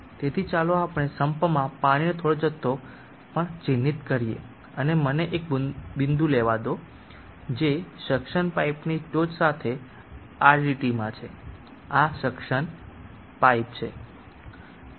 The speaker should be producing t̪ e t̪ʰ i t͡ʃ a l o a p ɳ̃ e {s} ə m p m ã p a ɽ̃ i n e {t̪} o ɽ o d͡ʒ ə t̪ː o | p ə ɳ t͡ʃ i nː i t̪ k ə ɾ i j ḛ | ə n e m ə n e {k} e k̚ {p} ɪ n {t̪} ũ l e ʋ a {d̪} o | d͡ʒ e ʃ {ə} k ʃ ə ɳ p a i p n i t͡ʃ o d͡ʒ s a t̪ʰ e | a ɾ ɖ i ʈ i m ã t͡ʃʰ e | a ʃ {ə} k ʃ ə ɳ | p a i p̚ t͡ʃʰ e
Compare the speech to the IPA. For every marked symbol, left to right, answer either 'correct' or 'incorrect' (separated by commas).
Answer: correct, incorrect, incorrect, incorrect, incorrect, correct, correct, correct